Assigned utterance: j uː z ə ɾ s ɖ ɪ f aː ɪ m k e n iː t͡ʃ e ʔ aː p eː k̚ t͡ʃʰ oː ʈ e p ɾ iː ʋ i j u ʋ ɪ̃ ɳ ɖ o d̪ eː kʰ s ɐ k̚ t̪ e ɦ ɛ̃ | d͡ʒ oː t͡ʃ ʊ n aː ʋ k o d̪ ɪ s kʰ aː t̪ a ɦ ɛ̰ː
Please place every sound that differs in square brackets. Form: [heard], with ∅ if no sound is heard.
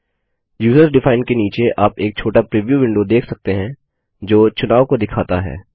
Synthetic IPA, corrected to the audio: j uː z ə ɾ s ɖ ɪ f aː ɪ [n] k e n iː t͡ʃ e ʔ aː p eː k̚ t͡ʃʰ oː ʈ [a] p ɾ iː ʋ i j u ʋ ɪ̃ ɳ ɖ o d̪ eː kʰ s ɐ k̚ t̪ e ɦ ɛ̃ | d͡ʒ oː t͡ʃ ʊ n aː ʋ k o d̪ ɪ [∅] kʰ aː t̪ a ɦ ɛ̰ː